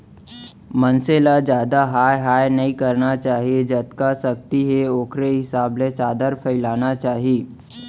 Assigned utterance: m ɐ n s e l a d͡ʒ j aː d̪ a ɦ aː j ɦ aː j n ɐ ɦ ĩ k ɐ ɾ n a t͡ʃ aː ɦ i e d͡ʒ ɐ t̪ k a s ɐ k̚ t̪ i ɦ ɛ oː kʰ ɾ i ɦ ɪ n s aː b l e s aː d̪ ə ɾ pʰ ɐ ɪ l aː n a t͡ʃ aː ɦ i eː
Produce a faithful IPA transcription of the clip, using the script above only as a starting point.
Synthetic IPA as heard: m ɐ n s e l a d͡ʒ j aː d̪ a ɦ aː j ɦ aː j n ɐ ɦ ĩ k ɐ ɾ n a t͡ʃ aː ɦ i e d͡ʒ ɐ t̪ k a s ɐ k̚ t̪ i ɦ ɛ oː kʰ ɾ e ɦ ɪ s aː b l e s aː d̪ ə ɾ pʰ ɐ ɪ l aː n a t͡ʃ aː ɦ i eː